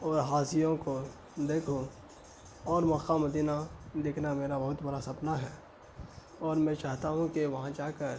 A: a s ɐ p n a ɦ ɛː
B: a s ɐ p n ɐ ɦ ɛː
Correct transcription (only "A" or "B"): A